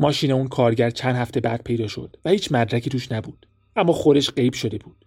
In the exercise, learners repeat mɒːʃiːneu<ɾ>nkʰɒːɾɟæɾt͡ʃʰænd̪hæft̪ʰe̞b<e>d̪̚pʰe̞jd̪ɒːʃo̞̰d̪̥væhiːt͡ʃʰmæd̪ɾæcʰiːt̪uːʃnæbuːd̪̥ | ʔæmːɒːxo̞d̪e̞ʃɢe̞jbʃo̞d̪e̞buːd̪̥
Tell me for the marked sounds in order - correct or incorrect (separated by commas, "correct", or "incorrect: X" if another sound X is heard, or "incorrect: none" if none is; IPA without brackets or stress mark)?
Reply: incorrect: none, incorrect: æ